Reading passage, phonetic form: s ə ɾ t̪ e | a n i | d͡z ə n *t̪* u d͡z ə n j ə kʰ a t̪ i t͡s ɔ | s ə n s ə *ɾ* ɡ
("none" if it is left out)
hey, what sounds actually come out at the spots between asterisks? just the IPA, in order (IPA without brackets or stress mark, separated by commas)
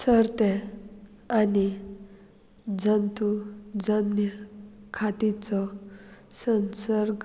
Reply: t̪, ɾ